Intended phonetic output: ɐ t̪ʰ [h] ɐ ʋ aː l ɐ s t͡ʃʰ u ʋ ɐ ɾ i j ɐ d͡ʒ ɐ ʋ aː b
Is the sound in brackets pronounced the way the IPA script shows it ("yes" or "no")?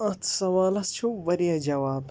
no